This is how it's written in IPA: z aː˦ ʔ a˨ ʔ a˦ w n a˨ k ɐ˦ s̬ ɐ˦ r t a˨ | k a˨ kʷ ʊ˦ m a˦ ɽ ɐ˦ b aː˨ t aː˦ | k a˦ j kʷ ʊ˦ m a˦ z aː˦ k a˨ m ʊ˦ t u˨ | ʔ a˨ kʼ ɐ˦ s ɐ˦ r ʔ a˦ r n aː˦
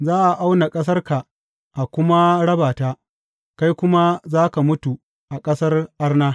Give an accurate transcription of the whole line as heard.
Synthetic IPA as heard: z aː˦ ʔ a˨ ʔ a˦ w n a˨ kʼ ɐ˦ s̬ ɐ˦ r k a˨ | ʔ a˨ kʷ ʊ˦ m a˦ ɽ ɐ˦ b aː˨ t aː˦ | k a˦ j kʷ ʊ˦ m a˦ z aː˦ k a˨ m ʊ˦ t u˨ | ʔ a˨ kʼ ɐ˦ s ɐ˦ r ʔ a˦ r n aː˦